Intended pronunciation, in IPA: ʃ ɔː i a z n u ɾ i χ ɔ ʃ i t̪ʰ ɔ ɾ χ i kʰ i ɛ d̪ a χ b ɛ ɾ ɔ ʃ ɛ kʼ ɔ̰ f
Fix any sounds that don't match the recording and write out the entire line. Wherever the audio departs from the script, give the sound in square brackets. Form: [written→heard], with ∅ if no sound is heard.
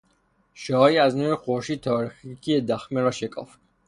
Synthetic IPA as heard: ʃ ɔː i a z n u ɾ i χ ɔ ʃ i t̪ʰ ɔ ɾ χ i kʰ i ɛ d̪ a χ [b→m] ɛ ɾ ɔ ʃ ɛ kʼ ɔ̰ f